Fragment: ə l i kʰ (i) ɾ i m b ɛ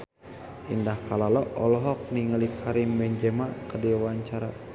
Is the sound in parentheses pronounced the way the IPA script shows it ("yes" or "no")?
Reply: no